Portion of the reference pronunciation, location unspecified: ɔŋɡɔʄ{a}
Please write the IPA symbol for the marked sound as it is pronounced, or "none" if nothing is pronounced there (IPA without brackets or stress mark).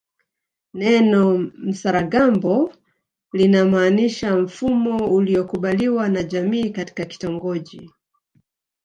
i